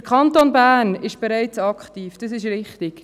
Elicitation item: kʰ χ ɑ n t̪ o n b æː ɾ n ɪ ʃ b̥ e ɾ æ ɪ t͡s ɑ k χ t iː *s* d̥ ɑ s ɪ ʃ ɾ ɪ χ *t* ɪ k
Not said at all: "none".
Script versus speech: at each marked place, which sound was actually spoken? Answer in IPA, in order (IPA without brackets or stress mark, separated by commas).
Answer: f, t